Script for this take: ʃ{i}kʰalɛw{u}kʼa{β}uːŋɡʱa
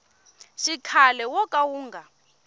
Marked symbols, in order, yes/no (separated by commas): yes, no, no